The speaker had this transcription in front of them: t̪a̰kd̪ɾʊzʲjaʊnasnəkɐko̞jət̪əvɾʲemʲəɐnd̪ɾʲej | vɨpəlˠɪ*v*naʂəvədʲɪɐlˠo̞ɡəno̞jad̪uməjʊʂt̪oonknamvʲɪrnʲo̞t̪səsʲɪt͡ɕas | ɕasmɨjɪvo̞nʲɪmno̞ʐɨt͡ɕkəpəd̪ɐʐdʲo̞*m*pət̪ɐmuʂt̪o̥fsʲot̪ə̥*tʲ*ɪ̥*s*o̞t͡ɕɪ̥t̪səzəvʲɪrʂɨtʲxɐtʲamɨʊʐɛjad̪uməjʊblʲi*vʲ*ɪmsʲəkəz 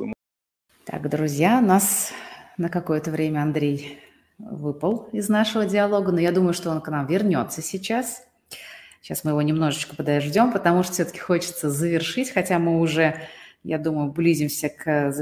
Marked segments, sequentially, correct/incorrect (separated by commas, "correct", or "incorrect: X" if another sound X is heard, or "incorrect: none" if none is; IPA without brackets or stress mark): incorrect: z, correct, incorrect: kʲ, incorrect: x, incorrect: zʲ